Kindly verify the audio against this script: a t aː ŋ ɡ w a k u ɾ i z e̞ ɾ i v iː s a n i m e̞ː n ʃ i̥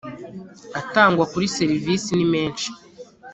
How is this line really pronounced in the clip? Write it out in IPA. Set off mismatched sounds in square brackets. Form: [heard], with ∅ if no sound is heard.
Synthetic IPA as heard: a t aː ŋ ɡ w a k u ɾ i [s] e̞ ɾ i v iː s [i] n i m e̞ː n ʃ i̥